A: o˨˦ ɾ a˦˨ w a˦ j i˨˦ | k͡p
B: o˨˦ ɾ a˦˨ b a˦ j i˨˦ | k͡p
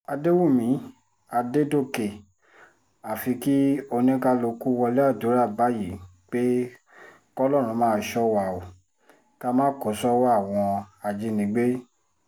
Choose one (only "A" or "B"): B